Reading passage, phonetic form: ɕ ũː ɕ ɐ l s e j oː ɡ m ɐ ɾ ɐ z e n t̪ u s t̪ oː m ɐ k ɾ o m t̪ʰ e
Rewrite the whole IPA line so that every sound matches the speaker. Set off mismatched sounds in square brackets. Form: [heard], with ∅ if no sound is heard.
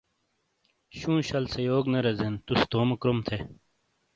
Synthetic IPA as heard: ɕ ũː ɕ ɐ l s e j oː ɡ [n] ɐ ɾ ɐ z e n t̪ u s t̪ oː m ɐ k ɾ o m t̪ʰ e